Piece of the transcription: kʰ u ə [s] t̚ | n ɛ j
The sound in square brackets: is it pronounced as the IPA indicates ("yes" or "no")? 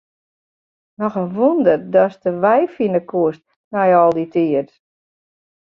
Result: yes